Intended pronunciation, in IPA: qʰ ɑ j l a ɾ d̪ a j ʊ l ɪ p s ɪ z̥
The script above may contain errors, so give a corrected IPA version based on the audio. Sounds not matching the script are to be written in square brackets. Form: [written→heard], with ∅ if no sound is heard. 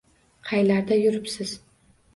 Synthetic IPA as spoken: qʰ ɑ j l a ɾ d̪ a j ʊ [l→ɾ] ɪ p s ɪ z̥